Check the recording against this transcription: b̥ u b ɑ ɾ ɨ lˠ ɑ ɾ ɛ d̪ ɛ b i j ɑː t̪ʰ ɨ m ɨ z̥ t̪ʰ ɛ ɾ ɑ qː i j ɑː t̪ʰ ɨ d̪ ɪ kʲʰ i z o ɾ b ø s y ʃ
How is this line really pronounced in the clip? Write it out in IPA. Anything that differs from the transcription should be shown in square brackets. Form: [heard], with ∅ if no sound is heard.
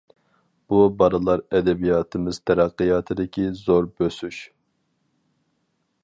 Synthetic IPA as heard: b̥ u b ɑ ɾ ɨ lˠ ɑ ɾ ɛ d̪ ɛ b i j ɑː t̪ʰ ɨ m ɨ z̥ t̪ʰ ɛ ɾ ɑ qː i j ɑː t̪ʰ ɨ d̪ ɪ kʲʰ i z o ɾ b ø s y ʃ